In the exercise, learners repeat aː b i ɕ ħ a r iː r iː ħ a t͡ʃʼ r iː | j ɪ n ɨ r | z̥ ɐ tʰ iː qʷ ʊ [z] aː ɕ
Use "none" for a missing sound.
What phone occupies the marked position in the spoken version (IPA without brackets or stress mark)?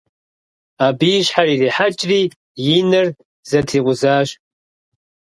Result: z